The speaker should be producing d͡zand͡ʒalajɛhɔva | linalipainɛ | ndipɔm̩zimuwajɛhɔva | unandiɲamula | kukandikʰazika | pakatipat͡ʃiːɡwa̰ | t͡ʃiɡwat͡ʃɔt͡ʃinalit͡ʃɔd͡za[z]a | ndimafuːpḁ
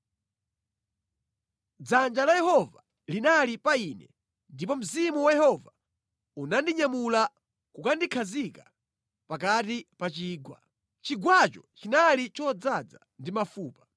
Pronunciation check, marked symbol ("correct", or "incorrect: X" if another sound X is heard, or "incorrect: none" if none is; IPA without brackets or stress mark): incorrect: d͡z